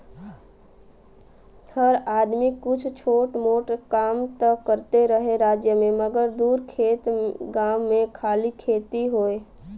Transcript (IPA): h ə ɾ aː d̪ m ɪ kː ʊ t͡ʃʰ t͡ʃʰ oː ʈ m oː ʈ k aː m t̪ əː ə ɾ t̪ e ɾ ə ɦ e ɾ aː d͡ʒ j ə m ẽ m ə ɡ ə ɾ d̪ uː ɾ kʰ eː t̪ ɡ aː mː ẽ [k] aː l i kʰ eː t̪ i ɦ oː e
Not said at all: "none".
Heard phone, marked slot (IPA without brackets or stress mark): kʰ